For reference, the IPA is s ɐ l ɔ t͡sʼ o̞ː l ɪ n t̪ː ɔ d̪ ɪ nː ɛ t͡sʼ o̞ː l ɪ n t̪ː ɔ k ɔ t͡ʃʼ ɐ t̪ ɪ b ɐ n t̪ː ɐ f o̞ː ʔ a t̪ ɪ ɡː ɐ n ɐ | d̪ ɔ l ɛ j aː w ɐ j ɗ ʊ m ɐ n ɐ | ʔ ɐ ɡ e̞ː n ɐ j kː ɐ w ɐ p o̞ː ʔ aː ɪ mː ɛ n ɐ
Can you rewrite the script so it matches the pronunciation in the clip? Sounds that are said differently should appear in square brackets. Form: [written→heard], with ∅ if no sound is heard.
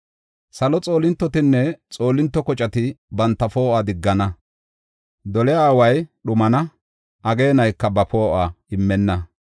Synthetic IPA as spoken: s ɐ l ɔ t͡sʼ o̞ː l ɪ n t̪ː ɔ [d̪→t̪] ɪ nː ɛ t͡sʼ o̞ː l ɪ n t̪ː ɔ k ɔ t͡ʃʼ ɐ t̪ ɪ b ɐ n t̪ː ɐ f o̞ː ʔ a [t̪→d̪] ɪ ɡː ɐ n ɐ | d̪ ɔ l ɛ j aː w ɐ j ɗ ʊ m ɐ n ɐ | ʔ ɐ ɡ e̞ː n ɐ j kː ɐ [w→b] ɐ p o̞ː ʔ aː ɪ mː ɛ [n→nː] ɐ